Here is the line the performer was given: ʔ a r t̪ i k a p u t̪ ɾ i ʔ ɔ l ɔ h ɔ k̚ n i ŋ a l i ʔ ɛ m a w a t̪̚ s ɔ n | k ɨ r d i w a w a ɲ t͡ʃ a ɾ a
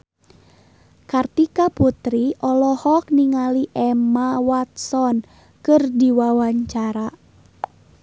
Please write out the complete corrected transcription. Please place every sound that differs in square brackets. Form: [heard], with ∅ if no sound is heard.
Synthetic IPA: [k] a r t̪ i k a p u t̪ ɾ i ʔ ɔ l ɔ h ɔ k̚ n i ŋ a l i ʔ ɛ m a w a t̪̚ s ɔ n | k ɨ r d i w a w a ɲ t͡ʃ a ɾ a